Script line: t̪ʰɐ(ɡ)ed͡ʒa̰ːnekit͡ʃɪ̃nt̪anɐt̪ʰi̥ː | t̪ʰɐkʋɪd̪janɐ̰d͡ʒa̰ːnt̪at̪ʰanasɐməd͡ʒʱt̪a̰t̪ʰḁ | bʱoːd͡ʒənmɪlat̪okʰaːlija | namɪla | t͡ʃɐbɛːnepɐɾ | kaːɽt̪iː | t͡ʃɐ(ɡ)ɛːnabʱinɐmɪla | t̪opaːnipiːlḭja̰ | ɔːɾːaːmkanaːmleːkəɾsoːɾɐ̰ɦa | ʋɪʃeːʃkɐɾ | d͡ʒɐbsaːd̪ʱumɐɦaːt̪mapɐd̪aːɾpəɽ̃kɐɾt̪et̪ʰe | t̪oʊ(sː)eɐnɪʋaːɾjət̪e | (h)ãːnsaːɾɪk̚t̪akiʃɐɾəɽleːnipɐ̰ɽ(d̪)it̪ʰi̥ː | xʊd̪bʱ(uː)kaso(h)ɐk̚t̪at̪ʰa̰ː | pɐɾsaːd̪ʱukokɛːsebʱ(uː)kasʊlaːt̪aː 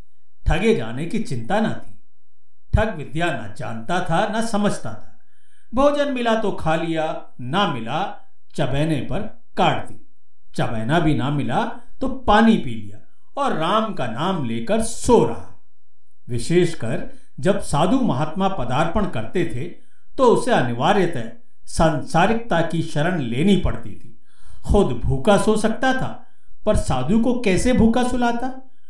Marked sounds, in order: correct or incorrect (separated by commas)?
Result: correct, incorrect, incorrect, incorrect, incorrect, correct, incorrect, correct